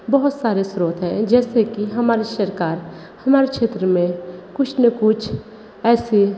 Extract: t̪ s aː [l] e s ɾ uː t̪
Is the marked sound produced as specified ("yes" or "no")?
no